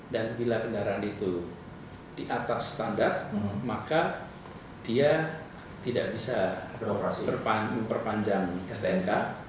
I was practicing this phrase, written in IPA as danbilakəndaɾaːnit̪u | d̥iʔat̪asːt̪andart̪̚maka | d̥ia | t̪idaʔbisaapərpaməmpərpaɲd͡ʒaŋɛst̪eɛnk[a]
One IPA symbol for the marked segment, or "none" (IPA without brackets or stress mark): a